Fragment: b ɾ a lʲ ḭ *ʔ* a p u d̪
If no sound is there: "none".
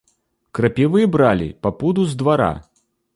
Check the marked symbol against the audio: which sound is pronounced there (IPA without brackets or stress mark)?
p